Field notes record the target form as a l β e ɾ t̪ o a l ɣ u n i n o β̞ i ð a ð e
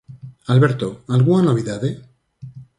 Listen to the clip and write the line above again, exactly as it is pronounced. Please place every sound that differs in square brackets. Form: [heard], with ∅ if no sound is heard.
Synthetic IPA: a l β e ɾ t̪ o a l ɣ u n [a] n o β̞ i ð a ð e